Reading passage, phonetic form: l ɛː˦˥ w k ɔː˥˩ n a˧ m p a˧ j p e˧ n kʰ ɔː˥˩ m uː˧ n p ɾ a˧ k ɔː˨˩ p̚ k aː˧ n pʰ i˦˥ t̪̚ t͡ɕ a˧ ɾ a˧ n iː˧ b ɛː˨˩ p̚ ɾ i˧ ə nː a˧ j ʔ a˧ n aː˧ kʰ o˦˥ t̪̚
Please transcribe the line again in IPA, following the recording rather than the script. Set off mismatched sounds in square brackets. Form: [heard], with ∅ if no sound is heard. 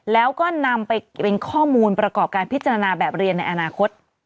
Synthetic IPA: l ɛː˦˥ w k ɔː˥˩ n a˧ m p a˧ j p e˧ n kʰ ɔː˥˩ m uː˧ n p ɾ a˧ k ɔː˨˩ p̚ k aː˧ n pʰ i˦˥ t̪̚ t͡ɕ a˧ ɾ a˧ n [aː˧] b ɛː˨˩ p̚ ɾ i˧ ə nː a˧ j ʔ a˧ n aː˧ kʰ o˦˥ t̪̚